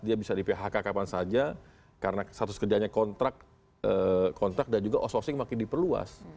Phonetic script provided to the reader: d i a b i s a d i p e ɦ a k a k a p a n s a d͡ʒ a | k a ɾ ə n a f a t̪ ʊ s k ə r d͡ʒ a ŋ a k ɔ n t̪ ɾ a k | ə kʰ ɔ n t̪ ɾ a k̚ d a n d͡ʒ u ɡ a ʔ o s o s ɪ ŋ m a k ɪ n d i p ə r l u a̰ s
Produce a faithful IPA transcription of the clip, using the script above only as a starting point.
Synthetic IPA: d i a b i s a d i p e ɦ a k a k a p a n s a d͡ʒ a | k a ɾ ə n a s a t̪ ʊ s k ə r d͡ʒ a ɲ a k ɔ n t̪ ɾ a k | ə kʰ ɔ n t̪ ɾ a k̚ d a n d͡ʒ u ɡ a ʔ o s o s ɪ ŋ m a k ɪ n d i p ə r l u a̰ s